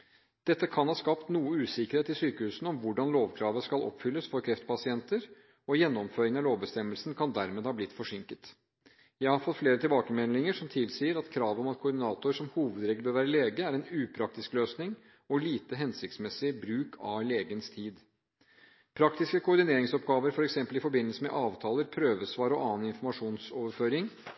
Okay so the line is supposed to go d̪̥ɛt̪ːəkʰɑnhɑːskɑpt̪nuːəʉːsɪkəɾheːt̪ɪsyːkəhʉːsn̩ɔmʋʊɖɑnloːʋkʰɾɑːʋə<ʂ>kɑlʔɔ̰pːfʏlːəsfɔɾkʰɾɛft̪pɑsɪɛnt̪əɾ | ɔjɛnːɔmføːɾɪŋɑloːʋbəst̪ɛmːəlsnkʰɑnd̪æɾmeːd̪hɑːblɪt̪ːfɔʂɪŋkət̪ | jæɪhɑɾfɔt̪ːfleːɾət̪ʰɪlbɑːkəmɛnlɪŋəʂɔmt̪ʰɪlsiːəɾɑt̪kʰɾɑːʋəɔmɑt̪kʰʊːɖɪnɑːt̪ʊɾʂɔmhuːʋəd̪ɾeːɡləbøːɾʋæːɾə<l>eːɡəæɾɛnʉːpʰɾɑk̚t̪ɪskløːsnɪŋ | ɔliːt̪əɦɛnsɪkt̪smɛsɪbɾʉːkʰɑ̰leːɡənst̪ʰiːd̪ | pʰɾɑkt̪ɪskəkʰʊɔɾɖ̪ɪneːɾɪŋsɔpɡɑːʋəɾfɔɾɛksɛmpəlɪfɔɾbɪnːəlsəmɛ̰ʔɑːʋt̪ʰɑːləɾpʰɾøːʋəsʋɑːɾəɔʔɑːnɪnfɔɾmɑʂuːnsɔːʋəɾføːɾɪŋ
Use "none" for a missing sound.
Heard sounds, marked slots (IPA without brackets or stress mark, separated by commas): s, l